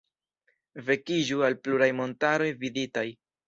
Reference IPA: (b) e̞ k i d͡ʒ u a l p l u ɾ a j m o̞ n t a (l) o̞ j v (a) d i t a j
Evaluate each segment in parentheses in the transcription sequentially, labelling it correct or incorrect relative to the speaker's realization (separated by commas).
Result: incorrect, incorrect, incorrect